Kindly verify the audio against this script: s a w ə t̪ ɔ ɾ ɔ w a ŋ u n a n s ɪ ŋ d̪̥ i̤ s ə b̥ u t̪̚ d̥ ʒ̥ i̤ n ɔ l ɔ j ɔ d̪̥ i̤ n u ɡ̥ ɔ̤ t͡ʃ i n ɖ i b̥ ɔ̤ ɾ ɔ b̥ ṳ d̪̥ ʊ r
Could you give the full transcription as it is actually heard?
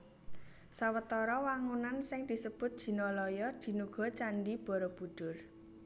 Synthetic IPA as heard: s a w ə t̪ ɔ ɾ ɔ w a ŋ u n a n s ɪ ŋ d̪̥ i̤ s ə b̥ ʊ t̪̚ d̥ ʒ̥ i̤ n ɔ l ɔ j ɔ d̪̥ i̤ n u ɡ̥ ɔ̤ t͡ʃ a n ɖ i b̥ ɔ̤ ɾ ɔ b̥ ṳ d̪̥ ʊ r